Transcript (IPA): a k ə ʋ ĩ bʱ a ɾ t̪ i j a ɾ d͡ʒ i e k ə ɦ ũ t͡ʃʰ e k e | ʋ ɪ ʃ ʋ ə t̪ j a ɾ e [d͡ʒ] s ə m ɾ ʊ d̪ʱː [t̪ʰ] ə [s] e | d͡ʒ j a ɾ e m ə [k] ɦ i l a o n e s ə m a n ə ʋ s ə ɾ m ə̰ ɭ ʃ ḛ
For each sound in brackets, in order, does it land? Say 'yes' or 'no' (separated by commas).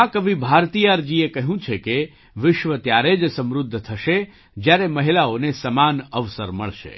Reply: yes, yes, no, no